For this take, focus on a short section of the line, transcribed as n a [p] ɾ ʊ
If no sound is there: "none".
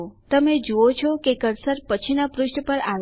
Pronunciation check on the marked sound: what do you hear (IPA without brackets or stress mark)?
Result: p